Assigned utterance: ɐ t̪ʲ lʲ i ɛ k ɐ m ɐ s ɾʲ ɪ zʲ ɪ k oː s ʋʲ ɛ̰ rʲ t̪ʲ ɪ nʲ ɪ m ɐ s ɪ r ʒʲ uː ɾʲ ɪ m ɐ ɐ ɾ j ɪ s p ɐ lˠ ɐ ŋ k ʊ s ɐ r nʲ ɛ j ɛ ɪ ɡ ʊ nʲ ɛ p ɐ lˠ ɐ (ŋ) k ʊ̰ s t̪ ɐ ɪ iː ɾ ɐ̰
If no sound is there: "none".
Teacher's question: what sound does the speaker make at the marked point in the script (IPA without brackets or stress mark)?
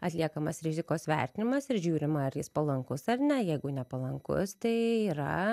ŋ